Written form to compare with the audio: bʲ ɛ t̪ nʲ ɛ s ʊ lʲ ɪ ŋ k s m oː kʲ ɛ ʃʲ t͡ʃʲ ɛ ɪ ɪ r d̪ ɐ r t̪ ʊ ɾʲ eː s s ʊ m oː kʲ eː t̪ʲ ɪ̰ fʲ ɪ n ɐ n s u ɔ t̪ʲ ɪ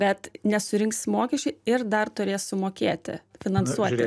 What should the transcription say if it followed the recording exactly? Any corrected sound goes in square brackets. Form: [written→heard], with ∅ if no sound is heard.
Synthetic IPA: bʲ ɛ t̪ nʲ ɛ s ʊ [lʲ→ɾʲ] ɪ ŋ k s m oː kʲ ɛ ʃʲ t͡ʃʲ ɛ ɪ ɪ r d̪ ɐ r t̪ ʊ ɾʲ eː s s ʊ m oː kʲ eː t̪ʲ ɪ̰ fʲ ɪ n ɐ n s u ɔ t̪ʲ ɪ

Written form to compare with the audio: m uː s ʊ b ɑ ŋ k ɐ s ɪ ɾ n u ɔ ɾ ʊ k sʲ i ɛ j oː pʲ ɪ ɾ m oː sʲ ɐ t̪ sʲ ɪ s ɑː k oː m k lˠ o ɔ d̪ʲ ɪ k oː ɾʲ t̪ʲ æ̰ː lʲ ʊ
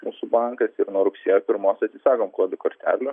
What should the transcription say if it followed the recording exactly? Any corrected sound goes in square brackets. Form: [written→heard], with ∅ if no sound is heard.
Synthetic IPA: m uː s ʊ b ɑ ŋ k ɐ s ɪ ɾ n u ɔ ɾ ʊ k sʲ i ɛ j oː pʲ ɪ ɾ m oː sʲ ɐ t̪ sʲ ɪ s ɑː k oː m k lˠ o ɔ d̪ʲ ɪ k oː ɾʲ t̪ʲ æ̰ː lʲ ʊ

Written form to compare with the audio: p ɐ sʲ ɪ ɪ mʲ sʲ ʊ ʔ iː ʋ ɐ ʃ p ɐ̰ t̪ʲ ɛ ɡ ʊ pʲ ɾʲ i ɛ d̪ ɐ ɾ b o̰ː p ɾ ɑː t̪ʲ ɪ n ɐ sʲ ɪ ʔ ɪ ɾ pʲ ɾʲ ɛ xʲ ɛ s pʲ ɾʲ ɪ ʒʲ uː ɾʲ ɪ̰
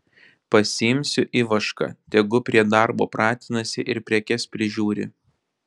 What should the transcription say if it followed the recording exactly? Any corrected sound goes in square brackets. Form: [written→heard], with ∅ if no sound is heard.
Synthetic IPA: p ɐ sʲ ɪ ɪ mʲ sʲ ʊ ʔ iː ʋ ɐ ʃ [p→k] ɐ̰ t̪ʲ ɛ ɡ ʊ pʲ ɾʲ i ɛ d̪ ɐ ɾ b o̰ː p ɾ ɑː t̪ʲ ɪ n ɐ sʲ ɪ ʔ ɪ ɾ pʲ ɾʲ ɛ [xʲ→kʲ] ɛ s pʲ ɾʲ ɪ ʒʲ uː ɾʲ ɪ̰

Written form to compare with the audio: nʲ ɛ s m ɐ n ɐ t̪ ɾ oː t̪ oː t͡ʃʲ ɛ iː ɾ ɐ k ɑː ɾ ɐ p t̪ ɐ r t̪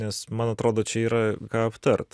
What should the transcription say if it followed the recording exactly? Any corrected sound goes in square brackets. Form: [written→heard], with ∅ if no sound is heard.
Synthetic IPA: nʲ ɛ s m ɐ n ɐ t̪ ɾ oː [t̪→d̪] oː t͡ʃʲ ɛ iː ɾ ɐ k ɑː [ɾ→∅] ɐ p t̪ ɐ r t̪

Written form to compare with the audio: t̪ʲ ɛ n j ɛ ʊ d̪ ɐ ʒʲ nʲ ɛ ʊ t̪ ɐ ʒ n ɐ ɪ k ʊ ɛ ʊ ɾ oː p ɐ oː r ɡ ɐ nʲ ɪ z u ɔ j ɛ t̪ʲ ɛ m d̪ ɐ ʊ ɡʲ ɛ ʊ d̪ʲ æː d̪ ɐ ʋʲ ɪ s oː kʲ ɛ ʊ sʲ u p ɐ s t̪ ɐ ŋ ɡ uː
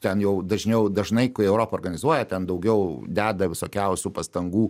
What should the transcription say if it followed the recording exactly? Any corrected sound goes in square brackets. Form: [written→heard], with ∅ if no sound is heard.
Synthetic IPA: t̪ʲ ɛ n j ɛ ʊ d̪ ɐ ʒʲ nʲ ɛ ʊ [t̪→d̪] ɐ ʒ n ɐ ɪ k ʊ ɛ ʊ ɾ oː p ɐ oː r ɡ ɐ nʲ ɪ z u ɔ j ɛ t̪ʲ ɛ [m→n] d̪ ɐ ʊ ɡʲ ɛ ʊ d̪ʲ æː d̪ ɐ ʋʲ ɪ s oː kʲ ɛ ʊ sʲ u p ɐ s t̪ ɐ ŋ ɡ uː

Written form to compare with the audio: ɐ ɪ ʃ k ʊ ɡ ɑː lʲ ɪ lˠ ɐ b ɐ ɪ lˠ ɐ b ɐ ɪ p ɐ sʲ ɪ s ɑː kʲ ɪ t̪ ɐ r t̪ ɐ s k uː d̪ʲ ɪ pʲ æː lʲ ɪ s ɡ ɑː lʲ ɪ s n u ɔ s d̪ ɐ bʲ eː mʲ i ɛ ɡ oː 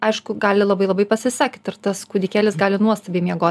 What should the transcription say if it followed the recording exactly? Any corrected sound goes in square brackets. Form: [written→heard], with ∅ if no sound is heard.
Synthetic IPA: ɐ ɪ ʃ k ʊ ɡ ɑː lʲ ɪ lˠ ɐ b ɐ ɪ lˠ ɐ b ɐ ɪ p ɐ sʲ ɪ s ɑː kʲ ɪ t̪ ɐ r t̪ ɐ s k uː d̪ʲ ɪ [pʲ→kʲ] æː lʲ ɪ s ɡ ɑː lʲ ɪ [s→∅] n u ɔ s [d̪→t̪] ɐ bʲ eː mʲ i ɛ ɡ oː

